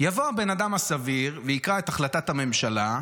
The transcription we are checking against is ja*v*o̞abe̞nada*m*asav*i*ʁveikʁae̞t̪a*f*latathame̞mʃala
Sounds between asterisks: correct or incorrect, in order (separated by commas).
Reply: correct, correct, correct, incorrect